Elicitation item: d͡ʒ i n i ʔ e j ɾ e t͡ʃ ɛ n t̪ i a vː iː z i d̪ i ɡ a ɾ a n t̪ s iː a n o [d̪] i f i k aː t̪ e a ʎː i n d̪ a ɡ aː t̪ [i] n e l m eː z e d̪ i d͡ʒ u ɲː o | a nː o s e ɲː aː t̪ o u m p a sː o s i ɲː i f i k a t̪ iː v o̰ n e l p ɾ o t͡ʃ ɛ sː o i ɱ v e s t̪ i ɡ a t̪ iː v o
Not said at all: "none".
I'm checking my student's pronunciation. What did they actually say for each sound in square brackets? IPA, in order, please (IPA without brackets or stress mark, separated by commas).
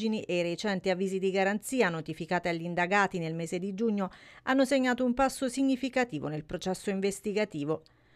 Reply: t̪, i